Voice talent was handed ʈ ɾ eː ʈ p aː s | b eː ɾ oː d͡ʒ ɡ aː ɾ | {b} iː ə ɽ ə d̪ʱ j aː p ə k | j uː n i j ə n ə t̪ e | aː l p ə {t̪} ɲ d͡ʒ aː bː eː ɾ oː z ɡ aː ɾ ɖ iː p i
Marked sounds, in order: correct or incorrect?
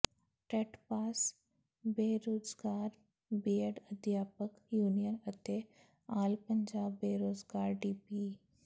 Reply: correct, incorrect

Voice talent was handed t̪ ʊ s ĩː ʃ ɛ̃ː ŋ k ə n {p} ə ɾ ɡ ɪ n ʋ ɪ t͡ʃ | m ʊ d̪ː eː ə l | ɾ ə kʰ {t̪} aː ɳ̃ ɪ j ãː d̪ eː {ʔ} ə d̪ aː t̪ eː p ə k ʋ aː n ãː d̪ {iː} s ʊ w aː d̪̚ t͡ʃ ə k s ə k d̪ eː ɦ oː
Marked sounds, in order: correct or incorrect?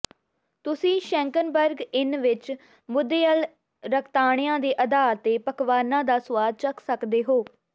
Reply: incorrect, correct, correct, incorrect

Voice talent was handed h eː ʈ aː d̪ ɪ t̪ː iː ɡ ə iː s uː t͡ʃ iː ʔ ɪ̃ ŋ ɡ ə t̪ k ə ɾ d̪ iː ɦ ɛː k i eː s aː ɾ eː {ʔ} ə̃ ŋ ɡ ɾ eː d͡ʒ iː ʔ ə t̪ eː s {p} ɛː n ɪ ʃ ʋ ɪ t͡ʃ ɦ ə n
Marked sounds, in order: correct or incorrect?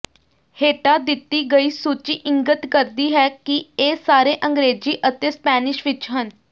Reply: correct, correct

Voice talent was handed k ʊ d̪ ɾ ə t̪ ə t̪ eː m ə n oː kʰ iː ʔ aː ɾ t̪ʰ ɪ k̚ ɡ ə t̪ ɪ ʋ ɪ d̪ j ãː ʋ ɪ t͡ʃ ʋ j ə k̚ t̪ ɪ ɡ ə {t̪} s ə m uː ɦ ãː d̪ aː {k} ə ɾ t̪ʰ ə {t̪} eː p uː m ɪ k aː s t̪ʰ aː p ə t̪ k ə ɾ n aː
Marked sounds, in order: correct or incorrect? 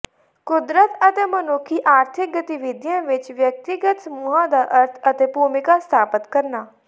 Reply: correct, incorrect, correct

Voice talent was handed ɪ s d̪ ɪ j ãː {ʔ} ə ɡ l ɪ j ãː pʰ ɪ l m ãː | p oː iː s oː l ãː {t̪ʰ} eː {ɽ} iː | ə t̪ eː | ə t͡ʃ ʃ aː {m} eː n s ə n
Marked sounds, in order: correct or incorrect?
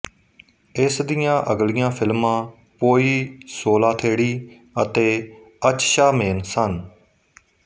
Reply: correct, correct, correct, correct

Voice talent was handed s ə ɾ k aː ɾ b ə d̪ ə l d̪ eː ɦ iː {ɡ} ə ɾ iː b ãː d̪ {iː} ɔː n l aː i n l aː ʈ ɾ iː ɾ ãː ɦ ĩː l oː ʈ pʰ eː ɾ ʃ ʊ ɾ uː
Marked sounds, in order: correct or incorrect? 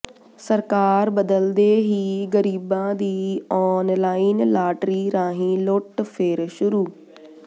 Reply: correct, correct

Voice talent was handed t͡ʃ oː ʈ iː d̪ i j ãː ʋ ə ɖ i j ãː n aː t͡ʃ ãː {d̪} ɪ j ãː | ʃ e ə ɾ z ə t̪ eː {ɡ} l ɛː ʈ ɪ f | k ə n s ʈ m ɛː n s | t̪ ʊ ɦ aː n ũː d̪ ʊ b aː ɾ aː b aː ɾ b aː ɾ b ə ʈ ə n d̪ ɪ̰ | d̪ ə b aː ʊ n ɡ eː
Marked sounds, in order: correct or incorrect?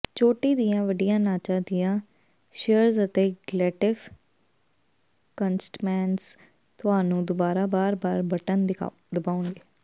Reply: correct, correct

